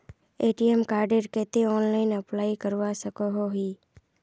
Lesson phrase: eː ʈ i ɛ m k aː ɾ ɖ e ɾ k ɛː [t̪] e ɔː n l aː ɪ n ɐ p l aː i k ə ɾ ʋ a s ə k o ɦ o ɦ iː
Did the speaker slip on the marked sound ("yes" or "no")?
no